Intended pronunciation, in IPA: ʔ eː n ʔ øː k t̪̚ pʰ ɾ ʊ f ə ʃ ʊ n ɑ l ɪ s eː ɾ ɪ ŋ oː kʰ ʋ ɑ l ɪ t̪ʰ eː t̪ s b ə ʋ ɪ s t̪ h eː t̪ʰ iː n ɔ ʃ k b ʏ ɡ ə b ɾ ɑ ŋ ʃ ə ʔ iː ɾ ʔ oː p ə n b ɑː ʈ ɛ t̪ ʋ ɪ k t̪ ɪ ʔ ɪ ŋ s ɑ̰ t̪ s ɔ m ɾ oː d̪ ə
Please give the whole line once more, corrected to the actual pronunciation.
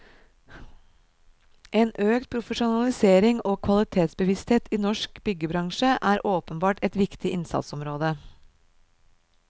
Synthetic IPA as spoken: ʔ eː n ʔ øː k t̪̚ pʰ ɾ ʊ f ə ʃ ʊ n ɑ l ɪ s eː ɾ ɪ ŋ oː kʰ ʋ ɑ l ɪ t̪ʰ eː t̪ s b ə ʋ ɪ s t̪ h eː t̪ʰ iː n ɔ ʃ k b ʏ ɡ ə b ɾ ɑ ŋ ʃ ə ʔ æː ɾ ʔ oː p ə n b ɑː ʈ ɛ t̪ ʋ ɪ k t̪ ɪ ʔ ɪ n s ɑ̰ t̪ s ɔ m ɾ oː d̪ ə